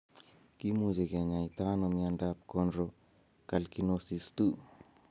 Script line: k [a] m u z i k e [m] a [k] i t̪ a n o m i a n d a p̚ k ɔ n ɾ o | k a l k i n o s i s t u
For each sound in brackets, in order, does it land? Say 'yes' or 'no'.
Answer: no, no, no

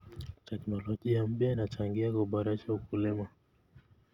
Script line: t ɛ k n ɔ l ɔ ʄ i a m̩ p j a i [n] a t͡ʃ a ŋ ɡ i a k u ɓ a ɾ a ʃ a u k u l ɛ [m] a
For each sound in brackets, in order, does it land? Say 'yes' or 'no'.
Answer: yes, yes

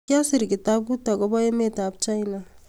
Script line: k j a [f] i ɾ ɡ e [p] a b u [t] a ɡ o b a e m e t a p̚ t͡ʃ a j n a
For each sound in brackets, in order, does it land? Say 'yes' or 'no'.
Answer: no, no, yes

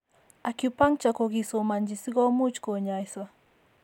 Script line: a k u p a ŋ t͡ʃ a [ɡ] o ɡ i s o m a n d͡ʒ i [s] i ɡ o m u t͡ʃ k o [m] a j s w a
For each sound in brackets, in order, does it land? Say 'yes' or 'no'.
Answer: no, yes, no

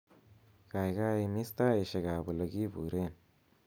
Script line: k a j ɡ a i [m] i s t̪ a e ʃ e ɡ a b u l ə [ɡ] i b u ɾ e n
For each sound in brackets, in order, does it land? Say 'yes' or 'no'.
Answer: yes, yes

